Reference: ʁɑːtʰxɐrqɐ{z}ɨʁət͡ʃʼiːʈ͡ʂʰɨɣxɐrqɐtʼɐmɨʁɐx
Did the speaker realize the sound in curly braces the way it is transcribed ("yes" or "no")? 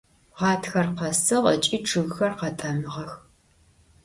no